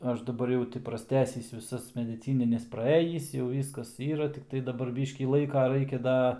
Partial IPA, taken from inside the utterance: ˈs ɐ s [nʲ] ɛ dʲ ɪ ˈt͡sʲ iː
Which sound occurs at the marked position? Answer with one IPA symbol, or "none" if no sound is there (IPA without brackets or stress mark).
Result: mʲ